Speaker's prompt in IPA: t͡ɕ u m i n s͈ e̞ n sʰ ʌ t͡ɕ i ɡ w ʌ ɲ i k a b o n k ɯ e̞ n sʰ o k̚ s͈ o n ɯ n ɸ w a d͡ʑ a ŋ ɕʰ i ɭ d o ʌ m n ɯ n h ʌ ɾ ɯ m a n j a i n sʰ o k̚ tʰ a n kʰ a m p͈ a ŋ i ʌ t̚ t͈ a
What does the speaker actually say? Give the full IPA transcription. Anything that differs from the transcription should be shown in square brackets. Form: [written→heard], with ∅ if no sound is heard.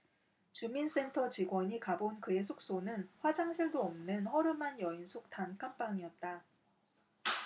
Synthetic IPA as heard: t͡ɕ u m i n s͈ e̞ n [sʰ→tʰ] ʌ t͡ɕ i ɡ w ʌ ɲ i k a b o n k ɯ e̞ [n→∅] sʰ o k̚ s͈ o n ɯ n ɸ w a d͡ʑ a ŋ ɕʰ i ɭ d o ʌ m n ɯ n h ʌ ɾ ɯ m a n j [a→ʌ] i n sʰ o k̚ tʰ a n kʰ a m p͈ a ŋ i ʌ t̚ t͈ a